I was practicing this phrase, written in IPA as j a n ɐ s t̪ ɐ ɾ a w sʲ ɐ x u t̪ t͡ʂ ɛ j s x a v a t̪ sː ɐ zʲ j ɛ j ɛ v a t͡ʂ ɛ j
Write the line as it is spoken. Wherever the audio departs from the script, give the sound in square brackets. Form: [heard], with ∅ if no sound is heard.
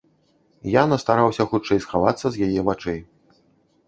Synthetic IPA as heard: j a n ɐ s t̪ [a] ɾ a w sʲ ɐ x u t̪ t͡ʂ ɛ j s x a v a t̪ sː ɐ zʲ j [a] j ɛ v a t͡ʂ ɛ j